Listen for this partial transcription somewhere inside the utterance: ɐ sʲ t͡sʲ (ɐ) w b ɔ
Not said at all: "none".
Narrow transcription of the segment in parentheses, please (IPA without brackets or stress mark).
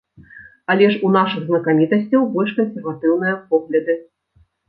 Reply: ɐ